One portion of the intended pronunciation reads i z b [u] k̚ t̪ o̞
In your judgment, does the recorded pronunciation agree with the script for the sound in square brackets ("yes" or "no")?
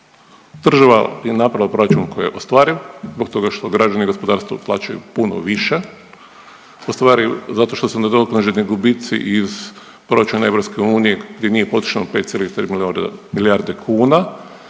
no